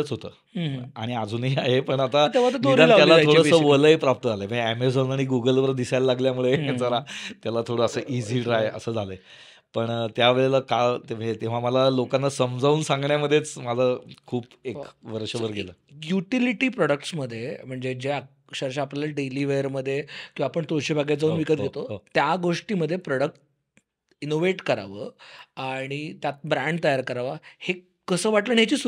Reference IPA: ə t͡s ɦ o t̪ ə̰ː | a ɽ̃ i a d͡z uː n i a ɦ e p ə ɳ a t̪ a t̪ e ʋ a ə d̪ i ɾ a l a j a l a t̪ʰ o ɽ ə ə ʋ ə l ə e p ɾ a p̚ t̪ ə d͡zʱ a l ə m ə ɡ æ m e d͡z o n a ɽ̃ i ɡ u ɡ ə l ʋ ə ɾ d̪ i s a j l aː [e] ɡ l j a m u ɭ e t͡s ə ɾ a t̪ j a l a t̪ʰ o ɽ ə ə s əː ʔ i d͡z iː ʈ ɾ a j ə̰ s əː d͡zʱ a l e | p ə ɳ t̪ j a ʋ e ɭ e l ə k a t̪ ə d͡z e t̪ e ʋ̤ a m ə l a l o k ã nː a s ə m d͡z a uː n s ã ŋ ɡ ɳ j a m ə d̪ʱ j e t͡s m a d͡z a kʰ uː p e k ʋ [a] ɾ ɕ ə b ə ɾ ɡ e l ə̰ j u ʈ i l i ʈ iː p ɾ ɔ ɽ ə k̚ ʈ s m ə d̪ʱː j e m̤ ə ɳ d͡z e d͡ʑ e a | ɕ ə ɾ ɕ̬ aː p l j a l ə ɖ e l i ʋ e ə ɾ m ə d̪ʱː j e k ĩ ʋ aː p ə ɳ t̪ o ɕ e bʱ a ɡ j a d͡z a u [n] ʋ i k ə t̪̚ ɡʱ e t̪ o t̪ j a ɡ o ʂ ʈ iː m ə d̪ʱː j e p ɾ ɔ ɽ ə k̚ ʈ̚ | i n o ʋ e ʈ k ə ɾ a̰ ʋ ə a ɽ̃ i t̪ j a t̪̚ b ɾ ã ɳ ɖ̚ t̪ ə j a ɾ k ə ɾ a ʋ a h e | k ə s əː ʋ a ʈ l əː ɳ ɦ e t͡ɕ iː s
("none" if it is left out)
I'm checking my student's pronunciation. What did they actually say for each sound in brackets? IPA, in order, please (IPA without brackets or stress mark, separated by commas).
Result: a, ə, n